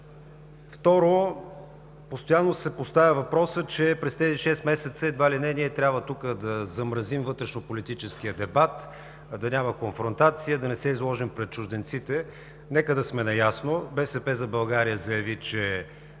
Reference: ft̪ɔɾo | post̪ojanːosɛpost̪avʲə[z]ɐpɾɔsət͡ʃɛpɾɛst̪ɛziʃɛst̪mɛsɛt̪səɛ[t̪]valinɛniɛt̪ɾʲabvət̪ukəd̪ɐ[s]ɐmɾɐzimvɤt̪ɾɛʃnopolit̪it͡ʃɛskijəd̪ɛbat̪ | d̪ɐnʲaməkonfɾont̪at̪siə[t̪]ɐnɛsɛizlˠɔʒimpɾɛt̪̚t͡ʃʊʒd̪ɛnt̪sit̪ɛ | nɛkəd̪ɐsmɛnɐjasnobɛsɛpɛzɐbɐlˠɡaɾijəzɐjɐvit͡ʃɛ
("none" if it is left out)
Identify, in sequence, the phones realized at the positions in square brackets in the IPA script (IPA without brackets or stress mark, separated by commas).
v, d̪, z, d̪